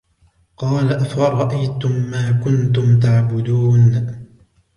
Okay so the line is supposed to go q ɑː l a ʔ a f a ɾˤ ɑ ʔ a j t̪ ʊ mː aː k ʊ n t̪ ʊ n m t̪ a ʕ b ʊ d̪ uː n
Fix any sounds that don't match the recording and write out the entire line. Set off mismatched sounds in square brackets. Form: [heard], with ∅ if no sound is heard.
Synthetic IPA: q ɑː l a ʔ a f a ɾˤ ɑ ʔ a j t̪ ʊ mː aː k ʊ n t̪ ʊ [∅] m t̪ a ʕ b ʊ d̪ uː n